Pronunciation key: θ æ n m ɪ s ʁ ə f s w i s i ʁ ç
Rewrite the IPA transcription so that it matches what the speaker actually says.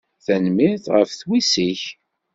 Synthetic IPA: θ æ n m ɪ θ ʁ ə f θ w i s i ç